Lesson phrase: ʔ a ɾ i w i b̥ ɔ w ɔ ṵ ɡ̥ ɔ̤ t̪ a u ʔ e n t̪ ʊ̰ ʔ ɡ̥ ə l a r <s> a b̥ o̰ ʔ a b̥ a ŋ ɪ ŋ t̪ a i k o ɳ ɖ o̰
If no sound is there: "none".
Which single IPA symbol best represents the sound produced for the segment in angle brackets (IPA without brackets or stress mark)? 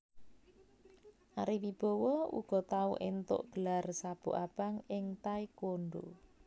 s